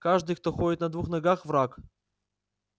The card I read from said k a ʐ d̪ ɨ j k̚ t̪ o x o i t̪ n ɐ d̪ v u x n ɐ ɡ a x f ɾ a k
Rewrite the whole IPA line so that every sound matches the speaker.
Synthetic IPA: k a ʐ d̪ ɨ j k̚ t̪ o x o ɪ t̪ n ɐ d̪ v u x n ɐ ɡ a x v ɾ a k